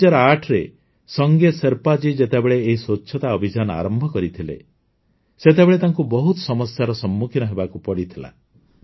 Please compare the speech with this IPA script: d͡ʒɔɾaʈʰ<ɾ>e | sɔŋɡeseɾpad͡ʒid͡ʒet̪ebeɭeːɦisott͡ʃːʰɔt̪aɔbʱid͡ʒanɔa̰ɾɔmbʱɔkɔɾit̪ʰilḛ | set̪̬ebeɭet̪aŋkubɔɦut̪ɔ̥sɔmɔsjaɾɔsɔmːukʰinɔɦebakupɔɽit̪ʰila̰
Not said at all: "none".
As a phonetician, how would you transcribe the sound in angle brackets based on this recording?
ɾ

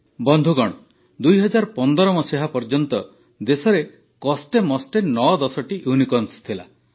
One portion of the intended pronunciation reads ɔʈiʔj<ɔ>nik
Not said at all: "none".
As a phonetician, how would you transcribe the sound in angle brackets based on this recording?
u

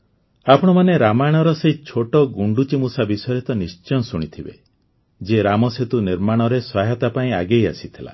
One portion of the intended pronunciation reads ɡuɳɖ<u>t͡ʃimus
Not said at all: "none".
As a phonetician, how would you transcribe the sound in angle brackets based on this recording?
u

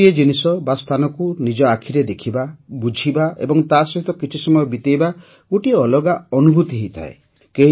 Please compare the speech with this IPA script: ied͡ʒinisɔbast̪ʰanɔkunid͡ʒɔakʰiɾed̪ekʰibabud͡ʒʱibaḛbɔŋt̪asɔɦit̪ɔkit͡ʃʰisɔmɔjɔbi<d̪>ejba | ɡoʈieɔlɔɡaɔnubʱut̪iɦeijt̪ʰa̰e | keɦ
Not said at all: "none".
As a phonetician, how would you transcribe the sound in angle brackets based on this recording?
t̪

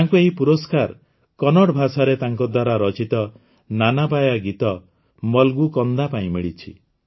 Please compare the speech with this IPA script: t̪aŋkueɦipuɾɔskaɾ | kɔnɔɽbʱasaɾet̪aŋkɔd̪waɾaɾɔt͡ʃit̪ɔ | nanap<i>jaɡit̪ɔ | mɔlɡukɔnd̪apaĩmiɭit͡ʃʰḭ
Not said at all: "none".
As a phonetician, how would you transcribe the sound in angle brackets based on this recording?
a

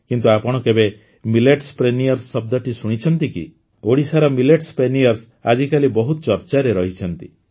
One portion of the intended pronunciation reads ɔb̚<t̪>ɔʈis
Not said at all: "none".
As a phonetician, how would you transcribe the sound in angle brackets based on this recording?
d̪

